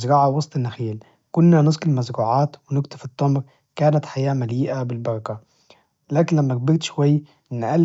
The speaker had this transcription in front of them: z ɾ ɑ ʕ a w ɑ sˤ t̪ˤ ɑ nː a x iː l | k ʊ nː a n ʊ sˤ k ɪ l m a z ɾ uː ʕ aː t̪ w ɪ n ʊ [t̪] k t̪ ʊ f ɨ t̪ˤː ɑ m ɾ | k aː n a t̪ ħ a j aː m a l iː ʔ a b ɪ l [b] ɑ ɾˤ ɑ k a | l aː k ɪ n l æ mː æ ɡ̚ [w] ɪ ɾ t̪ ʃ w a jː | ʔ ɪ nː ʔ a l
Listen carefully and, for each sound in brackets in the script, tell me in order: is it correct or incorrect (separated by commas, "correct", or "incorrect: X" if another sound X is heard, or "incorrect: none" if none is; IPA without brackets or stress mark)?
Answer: incorrect: none, correct, incorrect: b